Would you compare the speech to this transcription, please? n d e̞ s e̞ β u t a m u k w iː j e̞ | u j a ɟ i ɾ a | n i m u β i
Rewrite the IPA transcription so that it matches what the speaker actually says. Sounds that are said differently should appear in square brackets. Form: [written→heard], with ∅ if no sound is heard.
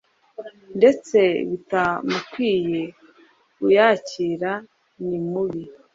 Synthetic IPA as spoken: n d e̞ [s→t͡s] e̞ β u t a m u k w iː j e̞ | u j a [ɟ→c] i ɾ a | n i m u β i